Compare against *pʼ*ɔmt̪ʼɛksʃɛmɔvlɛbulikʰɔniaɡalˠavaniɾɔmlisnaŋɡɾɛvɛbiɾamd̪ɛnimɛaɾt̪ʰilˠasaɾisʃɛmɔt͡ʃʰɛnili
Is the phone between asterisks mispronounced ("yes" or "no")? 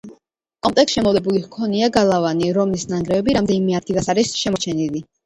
yes